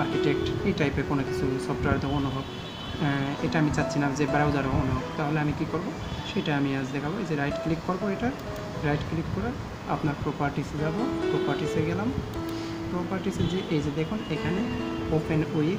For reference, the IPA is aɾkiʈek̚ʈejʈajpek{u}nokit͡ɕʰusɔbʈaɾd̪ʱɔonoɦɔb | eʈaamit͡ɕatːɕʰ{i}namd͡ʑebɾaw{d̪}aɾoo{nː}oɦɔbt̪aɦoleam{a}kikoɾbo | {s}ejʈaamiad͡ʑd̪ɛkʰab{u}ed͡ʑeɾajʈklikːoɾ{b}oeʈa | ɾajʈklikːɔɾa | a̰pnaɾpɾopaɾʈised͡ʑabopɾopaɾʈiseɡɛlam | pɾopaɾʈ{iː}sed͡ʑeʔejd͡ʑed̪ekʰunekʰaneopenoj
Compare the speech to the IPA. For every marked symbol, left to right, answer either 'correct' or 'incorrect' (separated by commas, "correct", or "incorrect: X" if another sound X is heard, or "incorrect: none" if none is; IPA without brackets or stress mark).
incorrect: o, correct, correct, incorrect: n, incorrect: i, incorrect: ʃ, incorrect: o, correct, incorrect: i